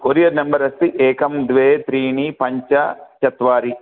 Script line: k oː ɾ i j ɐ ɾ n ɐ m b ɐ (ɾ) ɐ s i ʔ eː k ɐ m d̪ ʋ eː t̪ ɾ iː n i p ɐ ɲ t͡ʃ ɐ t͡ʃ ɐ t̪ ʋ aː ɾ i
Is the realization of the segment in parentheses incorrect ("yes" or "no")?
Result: no